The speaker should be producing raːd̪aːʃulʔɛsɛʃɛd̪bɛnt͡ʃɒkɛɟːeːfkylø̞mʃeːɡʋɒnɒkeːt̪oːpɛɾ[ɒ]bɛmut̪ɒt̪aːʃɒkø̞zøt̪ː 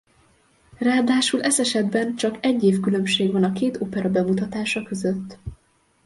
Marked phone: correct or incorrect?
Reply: correct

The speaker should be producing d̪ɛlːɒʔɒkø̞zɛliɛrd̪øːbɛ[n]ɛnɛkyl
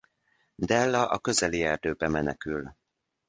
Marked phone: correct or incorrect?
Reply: incorrect: m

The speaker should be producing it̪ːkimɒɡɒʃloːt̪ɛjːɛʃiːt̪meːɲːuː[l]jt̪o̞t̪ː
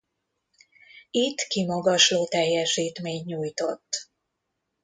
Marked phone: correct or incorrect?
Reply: incorrect: none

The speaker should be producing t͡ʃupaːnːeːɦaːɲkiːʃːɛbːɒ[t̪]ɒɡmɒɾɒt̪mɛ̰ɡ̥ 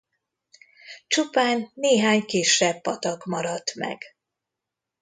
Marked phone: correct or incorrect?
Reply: correct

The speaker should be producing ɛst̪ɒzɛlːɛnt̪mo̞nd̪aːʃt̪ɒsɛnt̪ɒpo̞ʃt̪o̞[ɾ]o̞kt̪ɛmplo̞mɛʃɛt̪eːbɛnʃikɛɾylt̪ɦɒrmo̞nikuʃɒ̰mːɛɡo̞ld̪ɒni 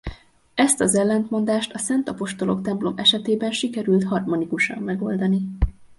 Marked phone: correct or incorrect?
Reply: incorrect: l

